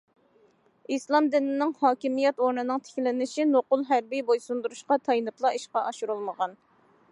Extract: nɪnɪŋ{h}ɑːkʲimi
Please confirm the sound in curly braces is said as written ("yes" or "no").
yes